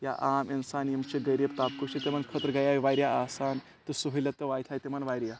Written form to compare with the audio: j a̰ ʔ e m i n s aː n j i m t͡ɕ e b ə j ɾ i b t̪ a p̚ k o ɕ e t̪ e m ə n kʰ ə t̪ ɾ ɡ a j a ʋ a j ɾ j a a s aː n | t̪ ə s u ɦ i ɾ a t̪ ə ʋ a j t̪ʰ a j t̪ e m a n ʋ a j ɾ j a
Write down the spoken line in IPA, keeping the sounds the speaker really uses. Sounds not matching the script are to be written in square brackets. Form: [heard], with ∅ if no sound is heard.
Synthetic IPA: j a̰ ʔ [a] m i n s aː n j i m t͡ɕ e [ɡ] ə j ɾ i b t̪ a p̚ k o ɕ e t̪ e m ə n kʰ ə t̪ ɾ ɡ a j a ʋ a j ɾ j a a s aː n | t̪ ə s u ɦ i [l] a t̪ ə ʋ a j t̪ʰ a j t̪ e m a n ʋ a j ɾ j a